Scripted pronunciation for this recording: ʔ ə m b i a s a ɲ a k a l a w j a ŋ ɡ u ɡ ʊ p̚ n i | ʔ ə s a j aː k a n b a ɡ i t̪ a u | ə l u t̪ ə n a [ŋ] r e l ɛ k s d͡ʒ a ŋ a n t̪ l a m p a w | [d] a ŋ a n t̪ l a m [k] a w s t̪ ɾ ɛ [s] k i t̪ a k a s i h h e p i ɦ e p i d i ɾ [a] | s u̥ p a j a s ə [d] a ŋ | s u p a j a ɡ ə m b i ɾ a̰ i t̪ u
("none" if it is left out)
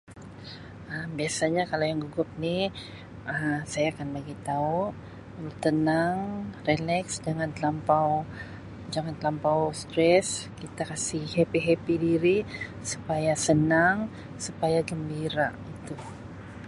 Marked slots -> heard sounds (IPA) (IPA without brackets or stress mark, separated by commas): ŋ, d͡ʒ, p, s, i, n